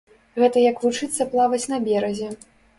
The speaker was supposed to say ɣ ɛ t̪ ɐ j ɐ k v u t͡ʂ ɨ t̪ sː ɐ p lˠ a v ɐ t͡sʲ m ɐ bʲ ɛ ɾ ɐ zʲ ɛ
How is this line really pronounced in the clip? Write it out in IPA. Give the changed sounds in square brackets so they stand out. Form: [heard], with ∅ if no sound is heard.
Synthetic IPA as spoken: ɣ ɛ t̪ ɐ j ɐ k v u t͡ʂ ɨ t̪ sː ɐ p lˠ a v ɐ t͡sʲ [n] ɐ bʲ ɛ ɾ ɐ zʲ ɛ